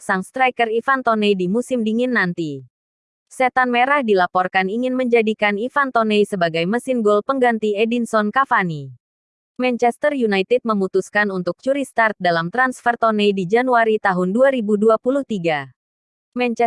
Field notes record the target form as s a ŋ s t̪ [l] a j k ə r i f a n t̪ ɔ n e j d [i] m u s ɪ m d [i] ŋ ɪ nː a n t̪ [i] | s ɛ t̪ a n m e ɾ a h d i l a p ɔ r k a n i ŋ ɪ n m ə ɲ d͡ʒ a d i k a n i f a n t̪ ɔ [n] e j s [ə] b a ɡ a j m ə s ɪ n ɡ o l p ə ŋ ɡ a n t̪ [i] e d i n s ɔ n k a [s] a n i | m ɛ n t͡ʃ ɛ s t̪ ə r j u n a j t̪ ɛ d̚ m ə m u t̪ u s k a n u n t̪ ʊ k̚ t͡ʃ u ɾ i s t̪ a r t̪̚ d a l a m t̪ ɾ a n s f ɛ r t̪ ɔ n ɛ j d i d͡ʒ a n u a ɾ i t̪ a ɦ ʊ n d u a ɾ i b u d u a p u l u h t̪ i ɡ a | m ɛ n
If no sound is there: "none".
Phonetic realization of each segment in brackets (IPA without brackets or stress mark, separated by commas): ɾ, i, i, i, n, ə, i, f